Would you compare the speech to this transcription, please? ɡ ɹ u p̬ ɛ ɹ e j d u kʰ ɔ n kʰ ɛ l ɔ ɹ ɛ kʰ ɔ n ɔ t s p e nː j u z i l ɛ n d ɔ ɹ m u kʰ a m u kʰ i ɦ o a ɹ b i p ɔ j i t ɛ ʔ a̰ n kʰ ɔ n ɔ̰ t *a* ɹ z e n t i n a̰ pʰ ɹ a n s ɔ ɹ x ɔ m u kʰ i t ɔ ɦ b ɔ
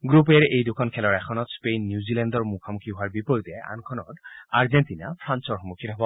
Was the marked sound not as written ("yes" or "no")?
no